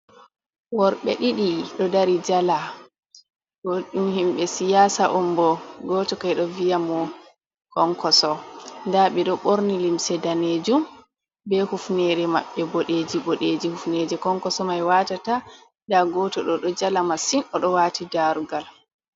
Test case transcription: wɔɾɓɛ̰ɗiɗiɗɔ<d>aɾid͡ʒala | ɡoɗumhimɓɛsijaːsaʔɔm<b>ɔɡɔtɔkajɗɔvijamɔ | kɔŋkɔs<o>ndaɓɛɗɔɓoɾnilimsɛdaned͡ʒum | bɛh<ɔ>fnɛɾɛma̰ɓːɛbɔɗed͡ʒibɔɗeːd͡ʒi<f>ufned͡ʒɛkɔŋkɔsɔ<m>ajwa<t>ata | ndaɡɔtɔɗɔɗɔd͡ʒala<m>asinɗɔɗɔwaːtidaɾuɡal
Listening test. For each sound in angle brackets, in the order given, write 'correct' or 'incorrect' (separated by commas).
correct, correct, incorrect, incorrect, incorrect, correct, correct, correct